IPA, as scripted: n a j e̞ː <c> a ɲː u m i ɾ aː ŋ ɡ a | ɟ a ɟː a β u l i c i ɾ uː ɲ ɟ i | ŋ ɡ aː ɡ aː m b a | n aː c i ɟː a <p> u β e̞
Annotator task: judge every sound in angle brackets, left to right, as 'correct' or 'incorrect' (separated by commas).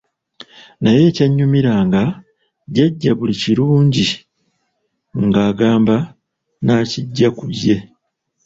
correct, incorrect